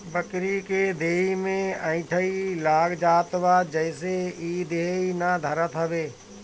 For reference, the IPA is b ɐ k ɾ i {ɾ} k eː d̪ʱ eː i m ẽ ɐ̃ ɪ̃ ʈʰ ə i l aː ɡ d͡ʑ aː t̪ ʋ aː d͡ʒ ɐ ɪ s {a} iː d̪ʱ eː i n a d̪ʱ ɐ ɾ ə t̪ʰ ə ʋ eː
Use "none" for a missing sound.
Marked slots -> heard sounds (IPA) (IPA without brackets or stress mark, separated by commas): none, e